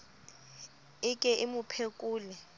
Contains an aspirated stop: yes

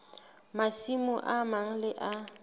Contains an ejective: no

